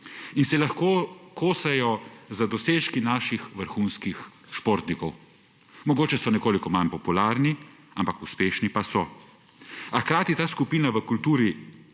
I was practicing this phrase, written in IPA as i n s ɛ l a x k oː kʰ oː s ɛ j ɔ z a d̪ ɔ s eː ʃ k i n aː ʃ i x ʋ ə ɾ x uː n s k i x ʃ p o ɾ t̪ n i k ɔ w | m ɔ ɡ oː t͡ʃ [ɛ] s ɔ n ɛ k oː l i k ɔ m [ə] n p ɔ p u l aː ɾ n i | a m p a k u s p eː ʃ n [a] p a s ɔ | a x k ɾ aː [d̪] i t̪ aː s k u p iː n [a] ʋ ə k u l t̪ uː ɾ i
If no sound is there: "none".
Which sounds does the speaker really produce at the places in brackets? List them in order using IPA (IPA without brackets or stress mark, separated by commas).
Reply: ɛ, a, i, t̪, a